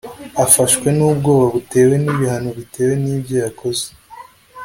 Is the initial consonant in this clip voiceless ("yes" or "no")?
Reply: yes